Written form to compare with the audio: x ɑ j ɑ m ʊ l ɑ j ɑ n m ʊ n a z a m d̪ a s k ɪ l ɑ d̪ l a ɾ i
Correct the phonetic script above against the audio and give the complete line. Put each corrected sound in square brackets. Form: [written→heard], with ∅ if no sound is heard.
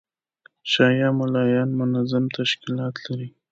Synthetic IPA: [x→ʃ] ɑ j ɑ m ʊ l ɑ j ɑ n m ʊ n a z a m [d̪→t̪] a [s→ʃ] k ɪ l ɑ [d̪→t̪] l a ɾ i